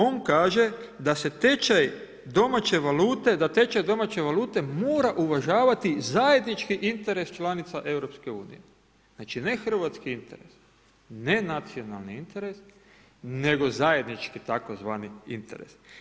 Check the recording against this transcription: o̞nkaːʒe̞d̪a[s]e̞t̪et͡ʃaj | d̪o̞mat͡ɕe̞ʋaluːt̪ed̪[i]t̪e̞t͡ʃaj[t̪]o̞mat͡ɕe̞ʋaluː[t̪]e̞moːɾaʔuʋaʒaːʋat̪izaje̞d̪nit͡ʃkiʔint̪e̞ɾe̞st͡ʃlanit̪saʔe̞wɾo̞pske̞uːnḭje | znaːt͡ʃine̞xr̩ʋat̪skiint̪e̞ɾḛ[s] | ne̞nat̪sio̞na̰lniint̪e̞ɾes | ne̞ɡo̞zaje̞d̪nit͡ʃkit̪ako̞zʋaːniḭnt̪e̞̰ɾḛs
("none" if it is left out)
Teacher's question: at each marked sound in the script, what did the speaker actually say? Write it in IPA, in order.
s, a, d̪, t̪, s

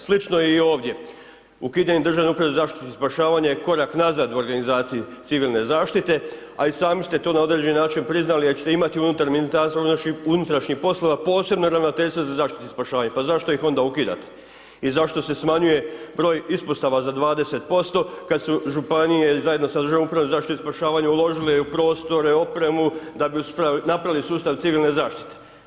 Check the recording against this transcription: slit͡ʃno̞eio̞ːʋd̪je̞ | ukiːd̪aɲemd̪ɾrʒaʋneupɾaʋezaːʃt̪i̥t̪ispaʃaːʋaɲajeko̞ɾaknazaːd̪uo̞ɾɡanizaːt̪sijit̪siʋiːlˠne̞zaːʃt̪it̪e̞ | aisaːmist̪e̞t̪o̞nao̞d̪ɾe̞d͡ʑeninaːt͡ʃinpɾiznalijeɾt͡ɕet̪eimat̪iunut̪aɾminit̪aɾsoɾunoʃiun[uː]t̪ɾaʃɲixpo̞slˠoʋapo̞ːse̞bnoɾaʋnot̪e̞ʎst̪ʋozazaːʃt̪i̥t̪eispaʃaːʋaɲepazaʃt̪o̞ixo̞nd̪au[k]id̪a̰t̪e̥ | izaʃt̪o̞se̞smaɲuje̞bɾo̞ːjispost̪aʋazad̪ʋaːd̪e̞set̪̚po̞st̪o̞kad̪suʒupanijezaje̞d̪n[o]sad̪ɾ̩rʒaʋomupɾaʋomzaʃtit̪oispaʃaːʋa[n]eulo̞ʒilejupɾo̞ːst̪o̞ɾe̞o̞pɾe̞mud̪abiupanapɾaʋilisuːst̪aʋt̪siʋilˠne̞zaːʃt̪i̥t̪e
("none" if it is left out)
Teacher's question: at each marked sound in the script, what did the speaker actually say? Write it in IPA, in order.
u, k, o, ɲ

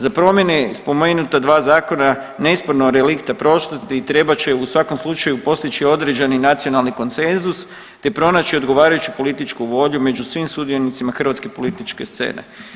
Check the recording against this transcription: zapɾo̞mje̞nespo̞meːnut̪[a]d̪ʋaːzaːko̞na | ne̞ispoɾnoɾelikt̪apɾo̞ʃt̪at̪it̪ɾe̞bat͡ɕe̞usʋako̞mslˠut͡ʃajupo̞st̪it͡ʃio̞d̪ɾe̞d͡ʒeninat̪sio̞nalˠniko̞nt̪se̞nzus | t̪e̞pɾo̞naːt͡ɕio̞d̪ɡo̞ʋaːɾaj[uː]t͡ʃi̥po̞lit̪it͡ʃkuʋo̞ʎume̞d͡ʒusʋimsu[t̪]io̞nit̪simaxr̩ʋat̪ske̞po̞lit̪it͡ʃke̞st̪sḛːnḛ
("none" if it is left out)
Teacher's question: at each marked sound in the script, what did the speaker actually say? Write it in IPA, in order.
a, u, d̪

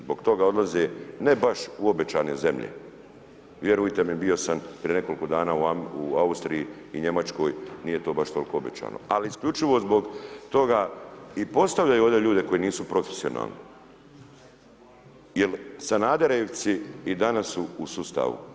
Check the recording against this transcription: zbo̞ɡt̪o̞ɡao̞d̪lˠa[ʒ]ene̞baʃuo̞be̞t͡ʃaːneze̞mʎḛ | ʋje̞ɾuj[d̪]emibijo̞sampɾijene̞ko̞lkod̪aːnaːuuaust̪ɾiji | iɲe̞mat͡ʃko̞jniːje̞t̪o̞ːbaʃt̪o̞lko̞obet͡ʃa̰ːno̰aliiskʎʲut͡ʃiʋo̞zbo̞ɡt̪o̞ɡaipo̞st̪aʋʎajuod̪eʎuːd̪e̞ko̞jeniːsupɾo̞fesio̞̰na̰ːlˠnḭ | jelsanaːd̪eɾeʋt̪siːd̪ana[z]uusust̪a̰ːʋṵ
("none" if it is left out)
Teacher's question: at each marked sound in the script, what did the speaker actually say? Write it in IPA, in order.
z, t̪, s

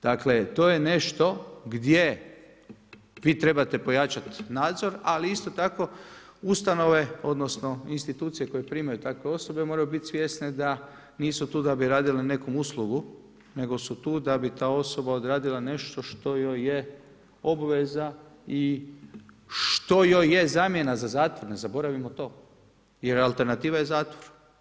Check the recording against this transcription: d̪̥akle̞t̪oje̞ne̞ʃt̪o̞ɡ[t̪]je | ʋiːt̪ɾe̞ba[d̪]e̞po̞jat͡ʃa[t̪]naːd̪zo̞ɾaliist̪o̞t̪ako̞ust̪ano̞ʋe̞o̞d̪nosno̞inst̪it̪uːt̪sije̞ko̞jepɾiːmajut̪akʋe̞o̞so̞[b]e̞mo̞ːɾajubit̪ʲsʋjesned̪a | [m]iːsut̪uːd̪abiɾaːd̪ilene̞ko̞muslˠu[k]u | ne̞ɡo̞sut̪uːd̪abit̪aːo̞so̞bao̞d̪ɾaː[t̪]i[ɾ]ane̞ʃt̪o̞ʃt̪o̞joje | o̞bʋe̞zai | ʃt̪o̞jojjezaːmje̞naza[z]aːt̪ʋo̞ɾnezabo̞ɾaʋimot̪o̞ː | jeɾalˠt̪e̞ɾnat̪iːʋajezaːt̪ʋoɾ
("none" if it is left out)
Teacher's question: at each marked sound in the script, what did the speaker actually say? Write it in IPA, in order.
d̪, t̪, t̪, b, n, ɡ, d̪, l, z

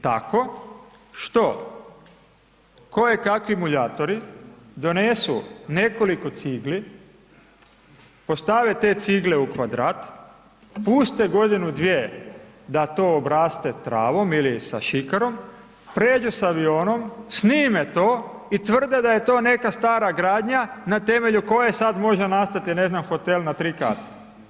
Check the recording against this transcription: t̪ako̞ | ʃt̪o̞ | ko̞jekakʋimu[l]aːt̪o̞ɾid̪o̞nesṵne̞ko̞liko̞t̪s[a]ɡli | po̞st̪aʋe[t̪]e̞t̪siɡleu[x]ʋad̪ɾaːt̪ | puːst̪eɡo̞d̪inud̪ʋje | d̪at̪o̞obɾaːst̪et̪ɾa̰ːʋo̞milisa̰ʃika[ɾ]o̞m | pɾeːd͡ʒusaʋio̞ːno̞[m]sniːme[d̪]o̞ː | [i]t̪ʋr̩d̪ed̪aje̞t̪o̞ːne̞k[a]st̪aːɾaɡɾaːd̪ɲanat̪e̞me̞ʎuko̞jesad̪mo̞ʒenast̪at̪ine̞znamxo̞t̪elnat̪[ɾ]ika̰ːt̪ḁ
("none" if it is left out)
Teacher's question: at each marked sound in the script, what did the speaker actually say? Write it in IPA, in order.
ʎ, i, t̪, k, ɾ, m, t̪, i, a, ɾ

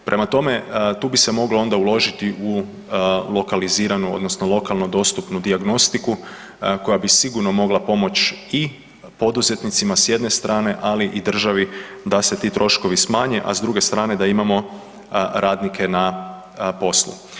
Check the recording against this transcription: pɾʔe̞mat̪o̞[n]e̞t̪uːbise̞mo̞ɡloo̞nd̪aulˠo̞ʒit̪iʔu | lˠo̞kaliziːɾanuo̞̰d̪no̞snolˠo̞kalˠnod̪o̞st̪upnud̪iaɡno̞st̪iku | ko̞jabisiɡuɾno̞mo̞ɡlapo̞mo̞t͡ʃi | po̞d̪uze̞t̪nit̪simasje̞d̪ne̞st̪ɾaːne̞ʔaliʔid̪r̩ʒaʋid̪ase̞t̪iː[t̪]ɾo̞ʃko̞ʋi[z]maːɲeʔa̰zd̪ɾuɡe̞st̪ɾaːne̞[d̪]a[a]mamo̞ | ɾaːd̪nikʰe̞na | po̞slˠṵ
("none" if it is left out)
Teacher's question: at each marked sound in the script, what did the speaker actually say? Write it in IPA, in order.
m, t̪, s, d̪, i

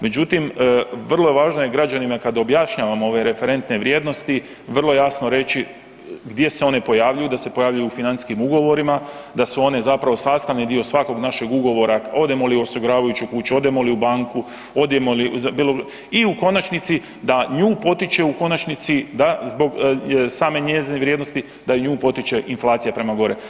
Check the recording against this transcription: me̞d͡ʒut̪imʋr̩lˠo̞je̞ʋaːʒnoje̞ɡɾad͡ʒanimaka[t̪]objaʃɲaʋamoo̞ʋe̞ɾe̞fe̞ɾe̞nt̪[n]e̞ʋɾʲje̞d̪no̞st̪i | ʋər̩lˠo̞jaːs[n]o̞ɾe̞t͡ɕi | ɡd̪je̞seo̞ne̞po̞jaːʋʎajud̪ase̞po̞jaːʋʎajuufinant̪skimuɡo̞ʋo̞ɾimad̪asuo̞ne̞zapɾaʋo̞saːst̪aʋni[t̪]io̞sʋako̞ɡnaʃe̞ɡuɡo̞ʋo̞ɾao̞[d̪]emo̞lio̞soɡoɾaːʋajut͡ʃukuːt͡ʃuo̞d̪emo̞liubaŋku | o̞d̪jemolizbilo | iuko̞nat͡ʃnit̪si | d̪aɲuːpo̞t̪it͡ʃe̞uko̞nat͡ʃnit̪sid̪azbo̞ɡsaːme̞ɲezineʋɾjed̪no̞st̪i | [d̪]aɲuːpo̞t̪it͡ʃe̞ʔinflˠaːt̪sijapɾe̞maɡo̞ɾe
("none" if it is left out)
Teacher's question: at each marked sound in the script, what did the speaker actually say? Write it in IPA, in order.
d̪, n, n, d̪, d̪, d̪

